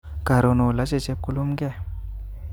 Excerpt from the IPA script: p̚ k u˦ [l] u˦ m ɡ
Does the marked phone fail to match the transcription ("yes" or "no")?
no